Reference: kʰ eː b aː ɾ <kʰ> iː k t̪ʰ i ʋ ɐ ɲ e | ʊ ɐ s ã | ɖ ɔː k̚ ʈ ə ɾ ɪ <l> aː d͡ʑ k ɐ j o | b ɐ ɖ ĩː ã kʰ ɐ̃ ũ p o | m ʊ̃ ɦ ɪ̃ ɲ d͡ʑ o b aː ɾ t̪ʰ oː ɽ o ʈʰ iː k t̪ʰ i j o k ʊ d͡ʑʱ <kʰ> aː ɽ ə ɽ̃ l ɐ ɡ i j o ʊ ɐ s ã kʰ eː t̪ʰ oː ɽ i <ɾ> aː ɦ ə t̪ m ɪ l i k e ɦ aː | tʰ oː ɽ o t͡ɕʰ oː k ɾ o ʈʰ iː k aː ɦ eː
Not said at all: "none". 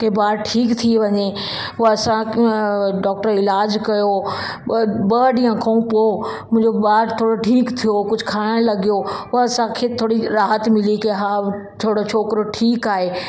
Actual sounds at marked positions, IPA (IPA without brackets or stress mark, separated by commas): ʈʰ, l, kʰ, ɾ